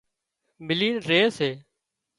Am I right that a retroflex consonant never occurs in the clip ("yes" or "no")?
yes